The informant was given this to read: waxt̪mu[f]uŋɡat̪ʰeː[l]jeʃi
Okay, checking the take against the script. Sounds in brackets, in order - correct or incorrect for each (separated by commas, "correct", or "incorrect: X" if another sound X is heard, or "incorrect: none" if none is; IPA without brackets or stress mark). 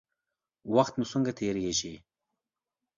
incorrect: s, incorrect: ɾ